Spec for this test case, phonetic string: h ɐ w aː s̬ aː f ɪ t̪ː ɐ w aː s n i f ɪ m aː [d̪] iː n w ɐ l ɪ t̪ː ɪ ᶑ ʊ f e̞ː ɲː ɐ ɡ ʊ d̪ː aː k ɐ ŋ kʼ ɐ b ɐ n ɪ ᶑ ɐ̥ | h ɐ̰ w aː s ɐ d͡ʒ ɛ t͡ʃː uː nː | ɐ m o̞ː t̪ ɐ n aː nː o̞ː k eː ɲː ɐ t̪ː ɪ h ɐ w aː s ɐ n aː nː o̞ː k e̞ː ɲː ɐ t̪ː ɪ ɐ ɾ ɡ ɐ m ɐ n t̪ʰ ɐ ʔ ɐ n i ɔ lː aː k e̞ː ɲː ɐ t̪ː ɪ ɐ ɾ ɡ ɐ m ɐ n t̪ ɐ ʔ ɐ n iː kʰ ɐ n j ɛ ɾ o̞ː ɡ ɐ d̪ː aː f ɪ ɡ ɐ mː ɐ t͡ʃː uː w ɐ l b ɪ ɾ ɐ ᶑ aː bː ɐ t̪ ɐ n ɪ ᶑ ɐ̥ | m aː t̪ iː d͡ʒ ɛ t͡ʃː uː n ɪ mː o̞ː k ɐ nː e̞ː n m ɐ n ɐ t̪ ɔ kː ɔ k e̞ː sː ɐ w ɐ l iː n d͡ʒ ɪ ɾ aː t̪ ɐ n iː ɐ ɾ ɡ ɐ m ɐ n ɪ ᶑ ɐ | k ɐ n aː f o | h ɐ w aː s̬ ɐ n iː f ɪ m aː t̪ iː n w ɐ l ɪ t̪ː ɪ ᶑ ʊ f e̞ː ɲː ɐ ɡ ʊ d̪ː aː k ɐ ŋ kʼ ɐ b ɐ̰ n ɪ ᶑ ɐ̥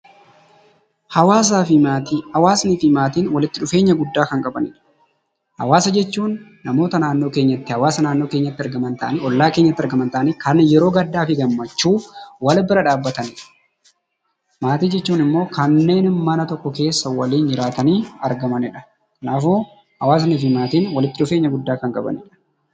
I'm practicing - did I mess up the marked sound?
yes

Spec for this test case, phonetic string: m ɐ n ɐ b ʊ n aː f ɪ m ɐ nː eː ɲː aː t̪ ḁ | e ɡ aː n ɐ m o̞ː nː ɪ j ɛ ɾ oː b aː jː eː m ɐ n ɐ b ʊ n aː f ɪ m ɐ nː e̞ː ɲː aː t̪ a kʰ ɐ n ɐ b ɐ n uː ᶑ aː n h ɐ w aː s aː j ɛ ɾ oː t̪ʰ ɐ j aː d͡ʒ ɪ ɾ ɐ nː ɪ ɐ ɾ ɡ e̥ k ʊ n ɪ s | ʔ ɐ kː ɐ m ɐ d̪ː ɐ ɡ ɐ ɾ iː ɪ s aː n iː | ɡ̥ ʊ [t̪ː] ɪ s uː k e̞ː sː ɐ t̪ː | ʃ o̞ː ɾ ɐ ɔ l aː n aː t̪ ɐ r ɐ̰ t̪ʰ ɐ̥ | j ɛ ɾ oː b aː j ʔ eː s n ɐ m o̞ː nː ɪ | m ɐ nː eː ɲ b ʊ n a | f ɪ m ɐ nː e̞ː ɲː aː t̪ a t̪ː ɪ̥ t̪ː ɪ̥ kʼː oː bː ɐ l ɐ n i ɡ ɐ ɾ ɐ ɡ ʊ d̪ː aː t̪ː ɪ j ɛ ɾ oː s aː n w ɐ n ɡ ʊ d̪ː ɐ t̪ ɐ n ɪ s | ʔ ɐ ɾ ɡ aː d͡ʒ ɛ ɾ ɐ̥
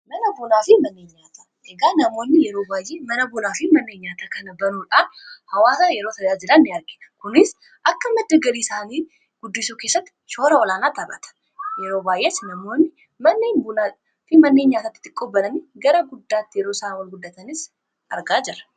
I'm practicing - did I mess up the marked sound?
yes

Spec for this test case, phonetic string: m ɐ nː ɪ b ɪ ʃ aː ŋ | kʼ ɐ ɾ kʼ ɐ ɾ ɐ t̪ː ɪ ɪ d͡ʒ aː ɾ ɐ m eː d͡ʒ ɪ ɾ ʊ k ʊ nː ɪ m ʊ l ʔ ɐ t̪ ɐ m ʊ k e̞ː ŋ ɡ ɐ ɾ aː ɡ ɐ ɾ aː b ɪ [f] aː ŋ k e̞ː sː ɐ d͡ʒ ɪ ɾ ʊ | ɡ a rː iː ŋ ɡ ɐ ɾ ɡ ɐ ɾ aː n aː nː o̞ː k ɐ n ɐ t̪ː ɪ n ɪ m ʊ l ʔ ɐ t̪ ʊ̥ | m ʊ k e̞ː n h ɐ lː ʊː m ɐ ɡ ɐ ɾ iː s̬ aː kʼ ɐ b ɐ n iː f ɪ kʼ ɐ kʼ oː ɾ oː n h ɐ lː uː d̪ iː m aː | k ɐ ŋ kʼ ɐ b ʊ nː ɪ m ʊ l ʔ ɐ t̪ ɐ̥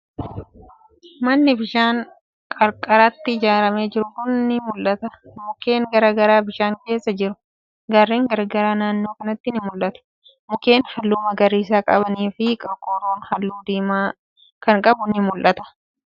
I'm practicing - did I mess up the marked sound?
yes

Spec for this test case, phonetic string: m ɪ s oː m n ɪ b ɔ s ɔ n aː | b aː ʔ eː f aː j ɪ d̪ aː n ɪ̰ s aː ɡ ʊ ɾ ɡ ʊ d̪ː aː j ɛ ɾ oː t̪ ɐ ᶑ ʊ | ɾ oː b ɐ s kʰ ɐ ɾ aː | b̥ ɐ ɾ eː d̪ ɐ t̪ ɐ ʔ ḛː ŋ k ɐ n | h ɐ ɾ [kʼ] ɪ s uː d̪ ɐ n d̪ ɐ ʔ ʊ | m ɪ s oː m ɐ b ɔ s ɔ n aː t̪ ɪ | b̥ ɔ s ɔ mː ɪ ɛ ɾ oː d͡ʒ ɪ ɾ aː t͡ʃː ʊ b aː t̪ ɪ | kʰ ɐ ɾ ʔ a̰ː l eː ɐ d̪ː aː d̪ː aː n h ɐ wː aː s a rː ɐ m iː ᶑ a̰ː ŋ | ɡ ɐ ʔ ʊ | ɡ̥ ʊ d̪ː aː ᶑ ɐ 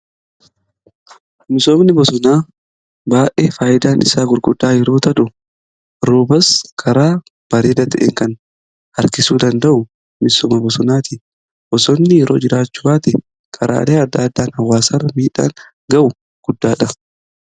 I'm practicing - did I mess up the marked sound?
yes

